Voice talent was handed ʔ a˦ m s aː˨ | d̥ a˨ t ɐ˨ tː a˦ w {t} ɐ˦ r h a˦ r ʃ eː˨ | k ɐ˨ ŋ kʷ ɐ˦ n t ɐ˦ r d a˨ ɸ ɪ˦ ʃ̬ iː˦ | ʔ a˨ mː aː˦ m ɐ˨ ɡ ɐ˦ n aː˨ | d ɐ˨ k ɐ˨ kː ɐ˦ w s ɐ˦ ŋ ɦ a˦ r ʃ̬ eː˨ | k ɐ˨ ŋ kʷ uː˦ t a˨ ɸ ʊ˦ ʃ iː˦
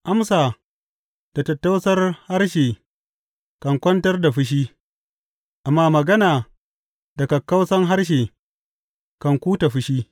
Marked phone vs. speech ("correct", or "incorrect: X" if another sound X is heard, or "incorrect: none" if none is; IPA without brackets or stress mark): incorrect: s